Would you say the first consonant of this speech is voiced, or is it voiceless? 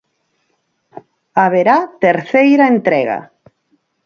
voiced